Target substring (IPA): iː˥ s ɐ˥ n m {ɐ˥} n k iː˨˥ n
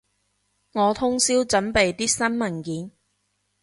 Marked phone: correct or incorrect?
incorrect